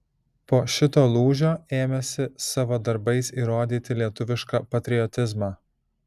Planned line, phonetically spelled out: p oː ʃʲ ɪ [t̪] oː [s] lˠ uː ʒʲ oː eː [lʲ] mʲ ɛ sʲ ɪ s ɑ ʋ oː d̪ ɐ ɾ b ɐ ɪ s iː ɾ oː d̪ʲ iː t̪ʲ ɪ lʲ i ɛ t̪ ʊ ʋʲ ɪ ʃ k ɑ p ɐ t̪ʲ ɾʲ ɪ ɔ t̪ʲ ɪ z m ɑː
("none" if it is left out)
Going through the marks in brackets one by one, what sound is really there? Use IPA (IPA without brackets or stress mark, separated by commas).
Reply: t̪, none, none